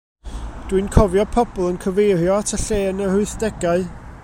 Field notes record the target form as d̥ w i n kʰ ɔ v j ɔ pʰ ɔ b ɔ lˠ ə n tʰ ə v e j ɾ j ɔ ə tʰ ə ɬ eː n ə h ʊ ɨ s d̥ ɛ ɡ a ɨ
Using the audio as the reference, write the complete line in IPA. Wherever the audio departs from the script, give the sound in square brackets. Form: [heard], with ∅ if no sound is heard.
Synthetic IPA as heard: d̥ w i n kʰ ɔ v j ɔ pʰ ɔ b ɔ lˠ ə n [kʰ] ə v e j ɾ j ɔ [a] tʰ ə ɬ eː n ə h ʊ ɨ [θ] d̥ ɛ ɡ a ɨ